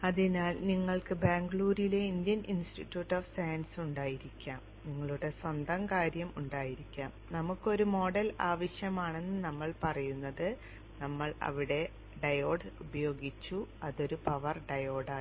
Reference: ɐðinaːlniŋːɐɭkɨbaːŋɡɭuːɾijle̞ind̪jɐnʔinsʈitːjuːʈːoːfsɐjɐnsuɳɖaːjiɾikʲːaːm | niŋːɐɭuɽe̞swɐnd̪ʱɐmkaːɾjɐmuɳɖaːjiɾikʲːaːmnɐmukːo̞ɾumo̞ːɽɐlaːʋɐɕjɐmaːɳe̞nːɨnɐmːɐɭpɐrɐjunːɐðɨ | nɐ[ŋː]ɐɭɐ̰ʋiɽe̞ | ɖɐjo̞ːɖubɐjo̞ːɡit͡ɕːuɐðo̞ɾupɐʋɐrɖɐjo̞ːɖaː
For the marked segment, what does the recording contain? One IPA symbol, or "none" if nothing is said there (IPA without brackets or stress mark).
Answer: mː